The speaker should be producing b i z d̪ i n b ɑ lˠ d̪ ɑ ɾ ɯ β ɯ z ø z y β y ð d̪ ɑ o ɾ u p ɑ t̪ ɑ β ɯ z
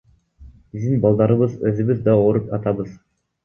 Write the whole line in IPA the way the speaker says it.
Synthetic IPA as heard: b i z d̪ i n b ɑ lˠ d̪ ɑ ɾ ɯ β ɯ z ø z y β y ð d̪ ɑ o ɾ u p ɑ t̪ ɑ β ɯ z